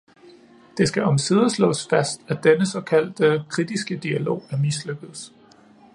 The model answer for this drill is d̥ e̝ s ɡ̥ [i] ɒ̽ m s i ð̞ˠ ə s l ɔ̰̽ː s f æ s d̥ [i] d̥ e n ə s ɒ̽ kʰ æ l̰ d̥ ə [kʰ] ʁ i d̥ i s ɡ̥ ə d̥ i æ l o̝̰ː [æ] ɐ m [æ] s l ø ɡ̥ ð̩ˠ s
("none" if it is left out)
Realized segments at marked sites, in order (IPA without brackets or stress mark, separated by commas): æ, æ, kʰ, æ, i